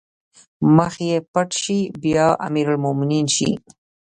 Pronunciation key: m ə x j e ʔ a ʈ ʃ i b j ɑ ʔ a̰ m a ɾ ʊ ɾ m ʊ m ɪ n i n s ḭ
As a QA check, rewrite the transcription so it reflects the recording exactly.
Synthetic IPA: m ə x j e p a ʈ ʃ i b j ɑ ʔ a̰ m i ɾ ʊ l m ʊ m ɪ n i n ʃ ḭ